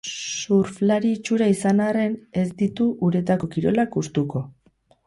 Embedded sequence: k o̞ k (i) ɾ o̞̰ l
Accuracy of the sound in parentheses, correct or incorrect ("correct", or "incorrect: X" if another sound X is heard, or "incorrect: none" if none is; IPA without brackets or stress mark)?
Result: correct